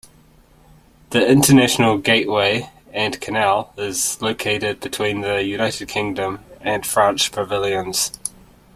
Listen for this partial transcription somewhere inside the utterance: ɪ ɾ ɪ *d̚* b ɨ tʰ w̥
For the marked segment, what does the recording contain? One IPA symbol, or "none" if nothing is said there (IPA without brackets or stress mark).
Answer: d̚